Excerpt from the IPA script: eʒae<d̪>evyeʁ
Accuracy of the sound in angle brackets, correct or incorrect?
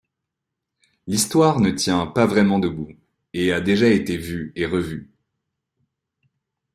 incorrect